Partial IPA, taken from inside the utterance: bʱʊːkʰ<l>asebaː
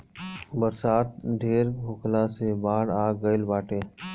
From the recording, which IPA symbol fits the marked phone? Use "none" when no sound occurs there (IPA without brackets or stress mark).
l